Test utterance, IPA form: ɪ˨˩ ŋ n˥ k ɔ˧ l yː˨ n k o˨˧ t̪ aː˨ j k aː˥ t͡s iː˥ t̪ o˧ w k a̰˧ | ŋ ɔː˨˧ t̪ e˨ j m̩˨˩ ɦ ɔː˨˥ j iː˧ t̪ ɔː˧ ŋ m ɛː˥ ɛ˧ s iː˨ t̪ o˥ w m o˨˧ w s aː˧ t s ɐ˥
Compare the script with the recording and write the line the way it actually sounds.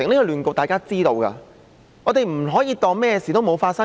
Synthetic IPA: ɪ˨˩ ŋ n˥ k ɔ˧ l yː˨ n k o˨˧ t̪ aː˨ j k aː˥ t͡s iː˥ t̪ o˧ w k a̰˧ | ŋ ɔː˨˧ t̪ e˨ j m̩˨˩ ɦ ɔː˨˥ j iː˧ t̪ ɔː˧ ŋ m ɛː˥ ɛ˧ s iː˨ t̪ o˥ w m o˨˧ w f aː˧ t s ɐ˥